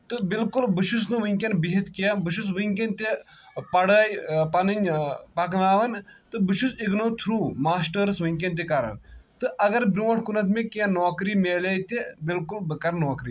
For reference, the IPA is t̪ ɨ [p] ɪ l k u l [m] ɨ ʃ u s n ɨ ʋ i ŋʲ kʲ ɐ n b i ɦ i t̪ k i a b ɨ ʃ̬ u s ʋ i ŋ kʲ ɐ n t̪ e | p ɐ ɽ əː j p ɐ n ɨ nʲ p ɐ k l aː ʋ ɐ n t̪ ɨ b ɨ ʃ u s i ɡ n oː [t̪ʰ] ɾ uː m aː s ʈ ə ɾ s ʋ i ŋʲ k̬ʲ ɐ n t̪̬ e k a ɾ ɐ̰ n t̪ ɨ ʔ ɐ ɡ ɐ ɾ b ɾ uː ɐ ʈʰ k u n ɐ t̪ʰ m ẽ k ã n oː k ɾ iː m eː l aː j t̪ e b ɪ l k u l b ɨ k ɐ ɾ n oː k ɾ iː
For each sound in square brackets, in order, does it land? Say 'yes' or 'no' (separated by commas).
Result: no, no, yes